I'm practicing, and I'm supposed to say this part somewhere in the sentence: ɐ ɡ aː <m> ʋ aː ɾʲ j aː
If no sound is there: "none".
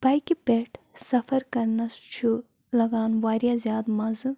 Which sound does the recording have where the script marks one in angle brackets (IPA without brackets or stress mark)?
n